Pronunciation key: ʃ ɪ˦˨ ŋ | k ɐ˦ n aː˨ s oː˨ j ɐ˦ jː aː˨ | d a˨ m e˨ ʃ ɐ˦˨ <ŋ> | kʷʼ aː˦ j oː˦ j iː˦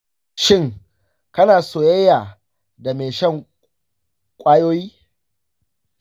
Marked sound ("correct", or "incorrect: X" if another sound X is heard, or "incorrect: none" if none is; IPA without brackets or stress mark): correct